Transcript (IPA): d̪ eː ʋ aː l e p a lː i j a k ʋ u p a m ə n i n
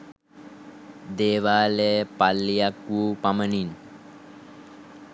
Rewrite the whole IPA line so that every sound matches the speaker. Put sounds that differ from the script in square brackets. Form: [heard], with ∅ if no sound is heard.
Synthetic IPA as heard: d̪ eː ʋ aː l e p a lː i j a k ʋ u p a m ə n i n